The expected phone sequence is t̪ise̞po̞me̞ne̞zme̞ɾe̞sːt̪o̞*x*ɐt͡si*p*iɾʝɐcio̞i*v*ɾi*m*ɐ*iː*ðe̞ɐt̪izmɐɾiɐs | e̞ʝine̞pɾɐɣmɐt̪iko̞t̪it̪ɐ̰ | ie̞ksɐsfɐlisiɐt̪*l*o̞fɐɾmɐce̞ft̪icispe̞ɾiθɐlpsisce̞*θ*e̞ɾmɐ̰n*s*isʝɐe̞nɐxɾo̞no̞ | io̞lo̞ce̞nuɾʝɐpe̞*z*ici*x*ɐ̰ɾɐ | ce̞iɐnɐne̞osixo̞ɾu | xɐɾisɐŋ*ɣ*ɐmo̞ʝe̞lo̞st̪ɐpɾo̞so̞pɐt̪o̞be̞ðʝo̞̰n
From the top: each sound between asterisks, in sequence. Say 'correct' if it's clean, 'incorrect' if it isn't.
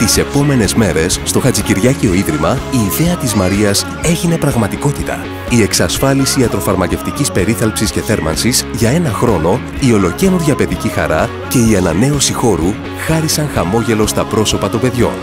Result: correct, incorrect: c, incorrect: ð, correct, correct, incorrect: ɾ, correct, correct, incorrect: ð, correct, incorrect: x

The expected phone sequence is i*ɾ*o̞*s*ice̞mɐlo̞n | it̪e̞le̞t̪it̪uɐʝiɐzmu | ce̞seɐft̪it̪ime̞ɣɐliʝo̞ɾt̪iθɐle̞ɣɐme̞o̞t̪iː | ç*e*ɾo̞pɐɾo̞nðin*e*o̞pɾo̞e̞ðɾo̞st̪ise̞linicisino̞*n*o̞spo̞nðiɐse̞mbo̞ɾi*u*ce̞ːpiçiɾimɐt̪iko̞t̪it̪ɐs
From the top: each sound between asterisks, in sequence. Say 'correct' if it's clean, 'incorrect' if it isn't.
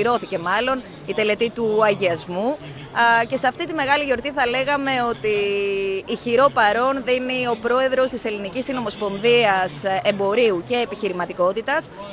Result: correct, incorrect: θ, incorrect: i, incorrect: i, incorrect: m, correct

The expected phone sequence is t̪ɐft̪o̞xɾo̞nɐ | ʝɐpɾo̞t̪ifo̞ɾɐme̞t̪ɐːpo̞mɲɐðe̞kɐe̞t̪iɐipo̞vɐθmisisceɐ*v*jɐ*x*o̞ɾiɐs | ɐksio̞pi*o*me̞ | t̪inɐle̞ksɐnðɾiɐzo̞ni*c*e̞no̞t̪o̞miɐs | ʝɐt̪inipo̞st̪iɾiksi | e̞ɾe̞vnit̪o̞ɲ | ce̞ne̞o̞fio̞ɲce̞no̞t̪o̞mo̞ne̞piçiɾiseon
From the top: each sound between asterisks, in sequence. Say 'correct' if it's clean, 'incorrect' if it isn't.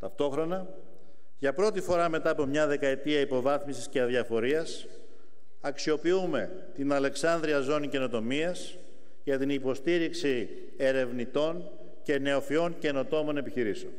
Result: incorrect: ð, incorrect: f, incorrect: u, correct

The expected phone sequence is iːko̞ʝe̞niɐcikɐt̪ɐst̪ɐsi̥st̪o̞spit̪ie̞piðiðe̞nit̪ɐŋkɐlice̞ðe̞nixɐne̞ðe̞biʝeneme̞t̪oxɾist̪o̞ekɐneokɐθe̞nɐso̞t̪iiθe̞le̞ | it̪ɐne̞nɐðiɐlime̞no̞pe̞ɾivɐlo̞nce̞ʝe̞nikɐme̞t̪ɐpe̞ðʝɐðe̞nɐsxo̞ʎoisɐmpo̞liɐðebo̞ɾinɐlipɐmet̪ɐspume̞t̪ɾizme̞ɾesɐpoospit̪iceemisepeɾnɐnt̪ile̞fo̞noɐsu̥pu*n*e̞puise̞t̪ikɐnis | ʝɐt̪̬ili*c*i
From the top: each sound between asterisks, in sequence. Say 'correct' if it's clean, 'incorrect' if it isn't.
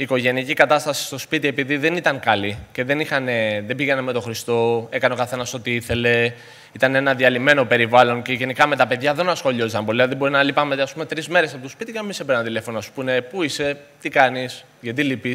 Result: correct, incorrect: p

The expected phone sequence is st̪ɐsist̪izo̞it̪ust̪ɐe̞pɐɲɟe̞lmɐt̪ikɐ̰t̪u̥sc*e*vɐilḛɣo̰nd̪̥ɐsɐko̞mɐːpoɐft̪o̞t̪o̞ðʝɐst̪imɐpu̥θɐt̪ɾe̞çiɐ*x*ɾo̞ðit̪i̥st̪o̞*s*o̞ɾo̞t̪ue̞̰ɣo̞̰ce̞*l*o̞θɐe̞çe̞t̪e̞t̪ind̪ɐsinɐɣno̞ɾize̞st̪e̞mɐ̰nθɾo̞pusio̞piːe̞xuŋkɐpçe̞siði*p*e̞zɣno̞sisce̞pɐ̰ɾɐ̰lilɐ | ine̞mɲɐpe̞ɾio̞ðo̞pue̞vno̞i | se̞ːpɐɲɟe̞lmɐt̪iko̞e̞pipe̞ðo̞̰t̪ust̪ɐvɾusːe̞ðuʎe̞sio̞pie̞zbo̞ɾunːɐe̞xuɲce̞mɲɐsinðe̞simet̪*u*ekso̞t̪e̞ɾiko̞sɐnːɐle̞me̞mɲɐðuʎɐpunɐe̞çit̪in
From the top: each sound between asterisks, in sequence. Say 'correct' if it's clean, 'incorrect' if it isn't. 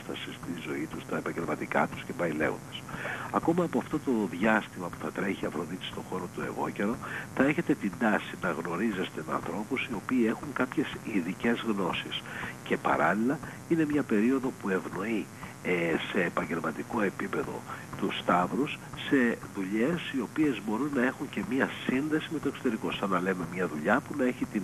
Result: correct, incorrect: f, incorrect: x, incorrect: ɾ, incorrect: c, incorrect: o

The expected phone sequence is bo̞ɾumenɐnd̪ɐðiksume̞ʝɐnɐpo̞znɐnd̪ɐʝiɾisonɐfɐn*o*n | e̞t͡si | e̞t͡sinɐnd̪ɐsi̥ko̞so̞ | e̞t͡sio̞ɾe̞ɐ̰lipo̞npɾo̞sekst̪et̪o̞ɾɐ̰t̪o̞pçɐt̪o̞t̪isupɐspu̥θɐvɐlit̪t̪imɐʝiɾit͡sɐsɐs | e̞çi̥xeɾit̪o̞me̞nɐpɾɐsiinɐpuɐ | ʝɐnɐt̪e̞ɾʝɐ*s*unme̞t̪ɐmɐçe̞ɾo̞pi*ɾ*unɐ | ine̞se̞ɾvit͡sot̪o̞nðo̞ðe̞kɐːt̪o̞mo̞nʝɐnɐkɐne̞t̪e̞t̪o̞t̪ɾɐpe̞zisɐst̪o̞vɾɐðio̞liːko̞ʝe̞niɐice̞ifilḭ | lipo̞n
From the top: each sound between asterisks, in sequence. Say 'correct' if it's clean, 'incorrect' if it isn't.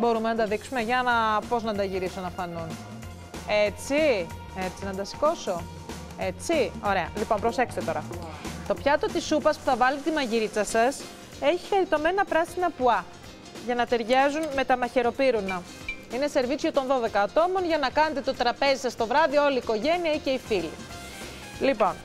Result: incorrect: u, incorrect: z, correct

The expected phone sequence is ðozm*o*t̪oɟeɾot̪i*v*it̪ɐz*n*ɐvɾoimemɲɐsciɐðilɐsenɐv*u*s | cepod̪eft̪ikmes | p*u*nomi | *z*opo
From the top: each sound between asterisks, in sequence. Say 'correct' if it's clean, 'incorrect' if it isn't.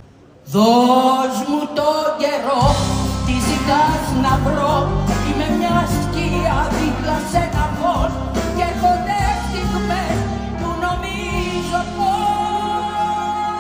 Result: incorrect: u, incorrect: z, correct, incorrect: o, correct, correct

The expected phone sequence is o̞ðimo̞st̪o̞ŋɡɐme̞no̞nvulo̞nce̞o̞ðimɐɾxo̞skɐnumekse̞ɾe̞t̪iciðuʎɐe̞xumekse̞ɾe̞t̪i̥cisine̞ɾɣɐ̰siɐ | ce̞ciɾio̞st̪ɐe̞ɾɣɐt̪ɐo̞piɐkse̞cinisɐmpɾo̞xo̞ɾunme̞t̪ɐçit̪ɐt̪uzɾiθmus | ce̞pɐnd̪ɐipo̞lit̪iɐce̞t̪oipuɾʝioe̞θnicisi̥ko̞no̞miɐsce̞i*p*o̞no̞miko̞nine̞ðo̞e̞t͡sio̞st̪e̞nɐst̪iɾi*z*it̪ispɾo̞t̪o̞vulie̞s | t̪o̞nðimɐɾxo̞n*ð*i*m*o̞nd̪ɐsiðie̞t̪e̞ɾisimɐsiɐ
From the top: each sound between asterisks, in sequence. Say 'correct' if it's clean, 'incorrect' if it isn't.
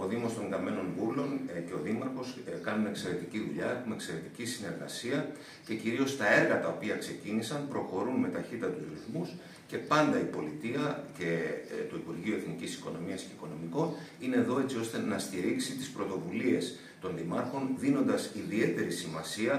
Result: incorrect: k, incorrect: s, correct, incorrect: n

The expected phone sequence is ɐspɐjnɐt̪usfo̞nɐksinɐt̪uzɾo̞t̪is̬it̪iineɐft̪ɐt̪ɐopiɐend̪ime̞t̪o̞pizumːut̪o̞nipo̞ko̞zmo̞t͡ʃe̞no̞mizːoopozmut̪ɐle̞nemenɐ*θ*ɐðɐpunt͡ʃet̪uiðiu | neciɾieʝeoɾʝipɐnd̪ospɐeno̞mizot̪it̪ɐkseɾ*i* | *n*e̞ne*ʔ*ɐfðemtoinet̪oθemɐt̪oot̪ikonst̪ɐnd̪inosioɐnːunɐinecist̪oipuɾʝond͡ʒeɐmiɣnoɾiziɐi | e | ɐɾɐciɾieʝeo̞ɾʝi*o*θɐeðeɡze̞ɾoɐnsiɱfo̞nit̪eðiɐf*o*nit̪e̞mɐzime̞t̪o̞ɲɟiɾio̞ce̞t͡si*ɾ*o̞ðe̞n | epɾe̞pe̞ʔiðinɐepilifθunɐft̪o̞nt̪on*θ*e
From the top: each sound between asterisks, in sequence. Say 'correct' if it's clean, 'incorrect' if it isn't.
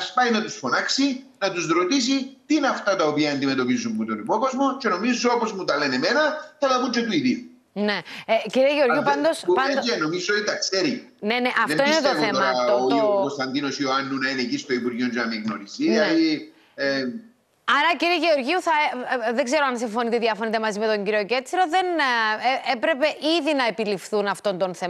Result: correct, correct, correct, correct, incorrect: u, correct, correct, correct

